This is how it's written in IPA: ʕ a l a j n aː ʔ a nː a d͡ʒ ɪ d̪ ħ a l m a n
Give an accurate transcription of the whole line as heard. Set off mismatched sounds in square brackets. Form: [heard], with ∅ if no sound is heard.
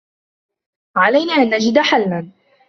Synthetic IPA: ʕ a l a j n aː ʔ a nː a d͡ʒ ɪ d̪ ħ a l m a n